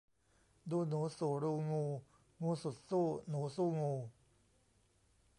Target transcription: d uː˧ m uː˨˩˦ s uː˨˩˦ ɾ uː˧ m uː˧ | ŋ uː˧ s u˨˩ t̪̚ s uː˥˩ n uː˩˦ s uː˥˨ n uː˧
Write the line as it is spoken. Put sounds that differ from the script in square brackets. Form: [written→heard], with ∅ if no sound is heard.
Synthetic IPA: d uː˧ [m→n] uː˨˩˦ s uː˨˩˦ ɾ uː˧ [m→ŋ] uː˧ | ŋ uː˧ s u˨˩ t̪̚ s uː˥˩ n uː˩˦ s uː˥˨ [n→ŋ] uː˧